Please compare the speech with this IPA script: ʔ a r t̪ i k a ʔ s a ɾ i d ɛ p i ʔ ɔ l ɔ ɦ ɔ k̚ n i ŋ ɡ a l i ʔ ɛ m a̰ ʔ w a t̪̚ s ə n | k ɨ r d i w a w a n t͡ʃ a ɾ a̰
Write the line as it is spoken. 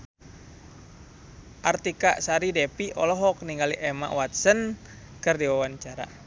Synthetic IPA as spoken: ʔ a r t̪ i k a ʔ s a ɾ i d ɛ p i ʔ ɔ l ɔ ɦ ɔ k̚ n i ŋ ɡ a l i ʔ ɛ m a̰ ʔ w a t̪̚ s ə n | k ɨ r d i w a w a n t͡ʃ a ɾ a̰